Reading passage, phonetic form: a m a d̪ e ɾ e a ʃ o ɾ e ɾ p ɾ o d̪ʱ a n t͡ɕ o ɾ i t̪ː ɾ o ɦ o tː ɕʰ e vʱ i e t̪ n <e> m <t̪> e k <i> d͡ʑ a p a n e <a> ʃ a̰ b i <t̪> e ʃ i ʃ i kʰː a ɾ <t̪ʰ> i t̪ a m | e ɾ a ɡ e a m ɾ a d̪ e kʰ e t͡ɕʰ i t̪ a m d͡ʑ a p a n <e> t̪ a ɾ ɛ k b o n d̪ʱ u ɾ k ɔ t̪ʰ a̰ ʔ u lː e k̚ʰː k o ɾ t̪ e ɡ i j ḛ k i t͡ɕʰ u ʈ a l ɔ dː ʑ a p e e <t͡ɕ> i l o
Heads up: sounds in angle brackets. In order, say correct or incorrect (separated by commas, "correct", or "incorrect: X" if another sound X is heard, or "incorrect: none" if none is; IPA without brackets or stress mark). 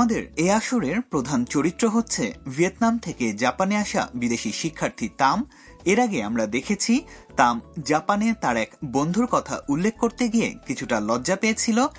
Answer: incorrect: a, incorrect: t̪ʰ, incorrect: e, correct, incorrect: d̪, correct, correct, incorrect: t͡ɕʰ